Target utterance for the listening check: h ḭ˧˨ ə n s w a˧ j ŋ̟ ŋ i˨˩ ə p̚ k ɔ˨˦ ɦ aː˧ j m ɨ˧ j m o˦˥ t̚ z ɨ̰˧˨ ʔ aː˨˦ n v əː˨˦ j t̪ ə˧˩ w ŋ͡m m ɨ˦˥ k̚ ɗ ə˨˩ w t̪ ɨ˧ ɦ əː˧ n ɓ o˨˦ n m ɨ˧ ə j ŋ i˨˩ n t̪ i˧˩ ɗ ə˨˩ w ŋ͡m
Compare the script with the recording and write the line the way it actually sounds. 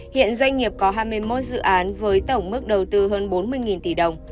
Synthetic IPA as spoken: h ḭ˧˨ ə n z w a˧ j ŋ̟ ŋ i˨˩ ə p̚ k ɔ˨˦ ɦ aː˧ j m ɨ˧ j m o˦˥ t̚ z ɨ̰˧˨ ʔ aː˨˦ n v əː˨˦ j t̪ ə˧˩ w ŋ͡m m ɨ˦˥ k̚ ɗ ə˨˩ w t̪ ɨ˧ ɦ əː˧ n ɓ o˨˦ n m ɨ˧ ə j ŋ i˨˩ n t̪ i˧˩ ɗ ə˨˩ w ŋ͡m

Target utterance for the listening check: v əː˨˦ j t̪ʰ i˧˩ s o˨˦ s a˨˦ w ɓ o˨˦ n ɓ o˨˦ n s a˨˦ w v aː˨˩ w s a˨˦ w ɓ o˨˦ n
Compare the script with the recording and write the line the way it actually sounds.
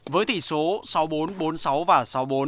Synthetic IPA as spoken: v əː˨˦ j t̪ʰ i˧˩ s o˨˦ s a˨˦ w ɓ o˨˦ n ɓ o˨˦ n s a˨˦ w v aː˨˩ s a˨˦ w ɓ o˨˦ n

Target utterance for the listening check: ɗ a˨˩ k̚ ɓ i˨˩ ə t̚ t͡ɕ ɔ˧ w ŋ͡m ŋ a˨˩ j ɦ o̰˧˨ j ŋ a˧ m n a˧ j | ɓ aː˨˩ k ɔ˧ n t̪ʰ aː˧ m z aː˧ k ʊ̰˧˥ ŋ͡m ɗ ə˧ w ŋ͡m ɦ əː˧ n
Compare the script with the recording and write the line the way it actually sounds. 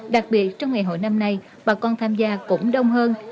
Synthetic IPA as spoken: ɗ a˨˩ k̚ ɓ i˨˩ ə t̚ t͡ɕ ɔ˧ w ŋ͡m ŋ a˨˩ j ɦ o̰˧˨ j n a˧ m n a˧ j | ɓ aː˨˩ k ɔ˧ n t̪ʰ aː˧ m z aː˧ k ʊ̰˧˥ ŋ͡m ɗ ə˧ w ŋ͡m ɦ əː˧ n

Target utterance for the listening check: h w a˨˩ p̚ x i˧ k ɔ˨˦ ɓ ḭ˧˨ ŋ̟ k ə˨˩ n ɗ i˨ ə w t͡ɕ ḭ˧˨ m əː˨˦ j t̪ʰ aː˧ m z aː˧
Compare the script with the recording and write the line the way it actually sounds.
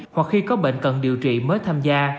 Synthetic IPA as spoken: h w a˨˩ k̚ x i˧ k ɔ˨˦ ɓ ḛ˧˨ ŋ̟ k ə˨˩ n ɗ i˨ ə w t͡ɕ ḭ˧˨ m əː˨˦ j t̪ʰ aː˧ m z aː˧

